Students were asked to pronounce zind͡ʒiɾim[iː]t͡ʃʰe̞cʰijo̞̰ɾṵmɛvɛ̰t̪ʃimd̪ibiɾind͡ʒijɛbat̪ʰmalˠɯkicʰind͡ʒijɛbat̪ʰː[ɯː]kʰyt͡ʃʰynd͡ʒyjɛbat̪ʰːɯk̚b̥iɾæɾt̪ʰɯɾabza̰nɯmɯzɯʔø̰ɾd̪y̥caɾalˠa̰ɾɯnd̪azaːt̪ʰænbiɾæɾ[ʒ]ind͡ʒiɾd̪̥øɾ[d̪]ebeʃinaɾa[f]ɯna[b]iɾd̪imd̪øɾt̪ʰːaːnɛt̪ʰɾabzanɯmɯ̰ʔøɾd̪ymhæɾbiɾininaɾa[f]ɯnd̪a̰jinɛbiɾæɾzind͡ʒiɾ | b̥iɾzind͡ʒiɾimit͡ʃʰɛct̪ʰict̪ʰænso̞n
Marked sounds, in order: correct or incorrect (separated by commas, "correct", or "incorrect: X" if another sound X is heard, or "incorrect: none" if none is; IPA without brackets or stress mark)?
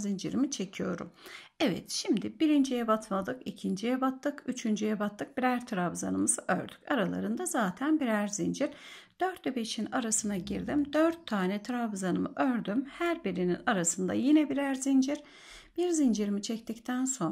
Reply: incorrect: i, incorrect: ɯ, incorrect: z, incorrect: t̪, incorrect: s, incorrect: ɟ, incorrect: s